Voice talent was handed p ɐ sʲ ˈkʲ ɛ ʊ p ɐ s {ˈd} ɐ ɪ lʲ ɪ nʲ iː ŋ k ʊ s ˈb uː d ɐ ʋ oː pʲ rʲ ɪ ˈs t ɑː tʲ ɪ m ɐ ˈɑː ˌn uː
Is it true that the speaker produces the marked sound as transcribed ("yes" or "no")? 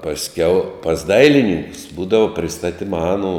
yes